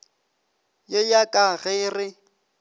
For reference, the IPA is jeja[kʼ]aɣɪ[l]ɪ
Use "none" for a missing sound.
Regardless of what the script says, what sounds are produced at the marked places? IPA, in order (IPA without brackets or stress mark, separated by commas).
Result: kʼ, r